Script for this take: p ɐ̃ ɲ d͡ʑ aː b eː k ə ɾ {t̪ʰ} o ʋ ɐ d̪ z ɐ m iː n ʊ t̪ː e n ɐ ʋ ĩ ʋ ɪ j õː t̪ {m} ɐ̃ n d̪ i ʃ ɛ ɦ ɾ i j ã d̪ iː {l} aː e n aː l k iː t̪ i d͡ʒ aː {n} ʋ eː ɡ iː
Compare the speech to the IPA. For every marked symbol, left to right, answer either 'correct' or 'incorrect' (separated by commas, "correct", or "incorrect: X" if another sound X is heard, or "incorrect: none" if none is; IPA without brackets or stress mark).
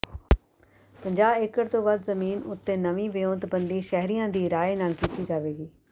incorrect: t̪, incorrect: b, incorrect: ɾ, incorrect: none